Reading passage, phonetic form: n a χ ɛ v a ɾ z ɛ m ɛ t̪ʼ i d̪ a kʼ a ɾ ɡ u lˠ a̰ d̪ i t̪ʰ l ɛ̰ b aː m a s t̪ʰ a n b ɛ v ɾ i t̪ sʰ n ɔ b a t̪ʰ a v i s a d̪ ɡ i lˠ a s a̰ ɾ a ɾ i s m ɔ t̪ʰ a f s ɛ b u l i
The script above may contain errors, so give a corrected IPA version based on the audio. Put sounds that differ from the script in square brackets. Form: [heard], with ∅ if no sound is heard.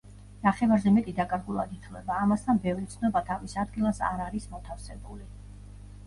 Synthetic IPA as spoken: n a χ ɛ v a ɾ z ɛ m ɛ t̪ʼ i d̪ a kʼ a ɾ ɡ u lˠ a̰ d̪ i t̪ʰ l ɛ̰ b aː m a s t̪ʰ a n b ɛ v ɾ i t̪ sʰ n ɔ b a t̪ʰ a v i s a d̪ ɡ i lˠ a s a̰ ɾ a ɾ i s m ɔ t̪ʰ a f s ɛ b u l i